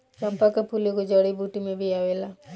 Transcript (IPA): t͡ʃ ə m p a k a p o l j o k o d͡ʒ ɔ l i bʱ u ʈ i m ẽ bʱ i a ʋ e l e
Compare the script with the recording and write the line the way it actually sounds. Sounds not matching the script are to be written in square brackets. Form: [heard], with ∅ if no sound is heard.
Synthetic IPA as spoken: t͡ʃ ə m p a k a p [u] l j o k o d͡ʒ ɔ [ɽ] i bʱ u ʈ i m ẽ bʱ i a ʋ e l [a]

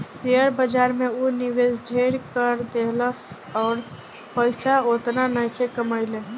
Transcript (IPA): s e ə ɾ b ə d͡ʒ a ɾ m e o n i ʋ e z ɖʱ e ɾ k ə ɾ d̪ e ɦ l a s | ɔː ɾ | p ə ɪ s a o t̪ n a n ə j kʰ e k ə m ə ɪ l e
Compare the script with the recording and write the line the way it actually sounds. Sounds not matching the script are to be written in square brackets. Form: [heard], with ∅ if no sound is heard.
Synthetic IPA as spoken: s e ə ɾ b ə d͡ʒ a ɾ m e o n i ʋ e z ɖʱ e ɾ k ə ɾ d̪ e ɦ l [ə] s | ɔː ɾ | p ə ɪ s a o t̪ n a n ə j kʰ e k ə m ə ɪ l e

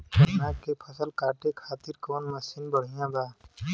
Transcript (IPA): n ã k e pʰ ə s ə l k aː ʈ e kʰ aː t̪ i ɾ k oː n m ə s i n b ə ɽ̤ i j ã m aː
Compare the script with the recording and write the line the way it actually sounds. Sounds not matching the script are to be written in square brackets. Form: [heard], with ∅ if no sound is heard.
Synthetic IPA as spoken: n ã k e pʰ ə s ə l k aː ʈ e kʰ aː t̪ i ɾ k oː n m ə s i n b ə ɽ̤ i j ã [b] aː

